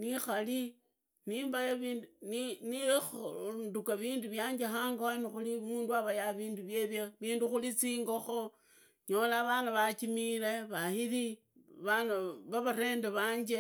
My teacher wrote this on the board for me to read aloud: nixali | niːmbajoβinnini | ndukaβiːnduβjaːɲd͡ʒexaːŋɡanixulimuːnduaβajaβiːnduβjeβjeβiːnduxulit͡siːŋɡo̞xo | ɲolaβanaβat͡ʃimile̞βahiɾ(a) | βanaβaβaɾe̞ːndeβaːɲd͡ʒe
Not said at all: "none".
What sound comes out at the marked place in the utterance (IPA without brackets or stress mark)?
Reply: i